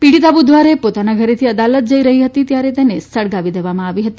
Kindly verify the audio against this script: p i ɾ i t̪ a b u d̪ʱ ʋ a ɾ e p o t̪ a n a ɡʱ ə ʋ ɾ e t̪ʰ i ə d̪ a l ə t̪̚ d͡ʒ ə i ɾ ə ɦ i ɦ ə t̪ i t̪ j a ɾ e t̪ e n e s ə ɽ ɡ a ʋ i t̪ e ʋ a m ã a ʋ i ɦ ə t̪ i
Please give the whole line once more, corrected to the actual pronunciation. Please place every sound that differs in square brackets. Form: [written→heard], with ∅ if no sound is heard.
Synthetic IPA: p i [ɾ→ɽ] i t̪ a b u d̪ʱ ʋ a ɾ e p o t̪ a n a ɡʱ ə [ʋ→∅] ɾ e t̪ʰ i ə d̪ a l ə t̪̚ d͡ʒ ə i ɾ ə ɦ i ɦ ə t̪ i t̪ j a ɾ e t̪ e n e s ə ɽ ɡ a ʋ i [t̪→d̪] e ʋ a m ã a ʋ i ɦ ə t̪ i